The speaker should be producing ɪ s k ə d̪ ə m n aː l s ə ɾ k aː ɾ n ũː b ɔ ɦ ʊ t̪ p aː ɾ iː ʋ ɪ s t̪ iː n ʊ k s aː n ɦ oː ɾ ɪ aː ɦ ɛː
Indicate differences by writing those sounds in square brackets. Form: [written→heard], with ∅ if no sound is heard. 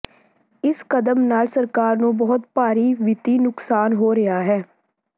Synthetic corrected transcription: ɪ s k ə d̪ ə m n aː l s ə ɾ k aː ɾ n ũː b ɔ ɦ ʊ t̪ p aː ɾ iː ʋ ɪ [s→∅] t̪ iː n ʊ k s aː n ɦ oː ɾ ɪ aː ɦ ɛː